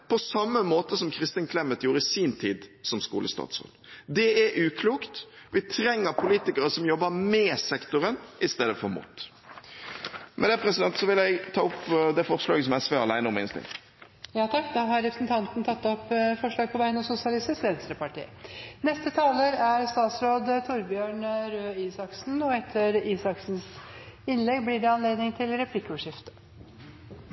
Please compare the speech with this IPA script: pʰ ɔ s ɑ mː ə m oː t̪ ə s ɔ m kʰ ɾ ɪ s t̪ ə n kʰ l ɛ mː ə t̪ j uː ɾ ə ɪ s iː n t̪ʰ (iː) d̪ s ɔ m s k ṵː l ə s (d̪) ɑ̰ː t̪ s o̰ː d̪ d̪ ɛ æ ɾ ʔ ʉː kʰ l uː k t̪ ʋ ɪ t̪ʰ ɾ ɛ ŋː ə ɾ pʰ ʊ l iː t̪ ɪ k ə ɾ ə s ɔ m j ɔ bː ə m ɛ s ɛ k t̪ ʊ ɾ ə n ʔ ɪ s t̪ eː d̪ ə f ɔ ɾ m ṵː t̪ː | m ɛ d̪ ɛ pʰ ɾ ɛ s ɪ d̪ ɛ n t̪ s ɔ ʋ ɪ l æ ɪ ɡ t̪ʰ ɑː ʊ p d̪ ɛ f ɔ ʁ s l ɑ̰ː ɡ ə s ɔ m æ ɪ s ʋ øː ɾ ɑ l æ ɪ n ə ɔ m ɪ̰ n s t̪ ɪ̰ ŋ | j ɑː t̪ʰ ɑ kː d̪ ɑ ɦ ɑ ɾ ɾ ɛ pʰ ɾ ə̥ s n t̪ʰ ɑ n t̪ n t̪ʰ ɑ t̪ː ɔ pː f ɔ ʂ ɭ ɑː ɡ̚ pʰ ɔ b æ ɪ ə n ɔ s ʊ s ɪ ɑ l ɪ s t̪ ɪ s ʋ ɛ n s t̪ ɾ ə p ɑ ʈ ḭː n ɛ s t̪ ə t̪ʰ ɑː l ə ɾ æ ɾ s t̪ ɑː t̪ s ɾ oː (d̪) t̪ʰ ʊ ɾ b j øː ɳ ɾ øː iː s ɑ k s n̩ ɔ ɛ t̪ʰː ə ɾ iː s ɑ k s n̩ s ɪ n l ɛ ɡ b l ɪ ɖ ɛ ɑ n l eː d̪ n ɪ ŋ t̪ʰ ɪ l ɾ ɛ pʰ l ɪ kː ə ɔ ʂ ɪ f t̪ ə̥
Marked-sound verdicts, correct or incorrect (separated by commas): correct, incorrect, correct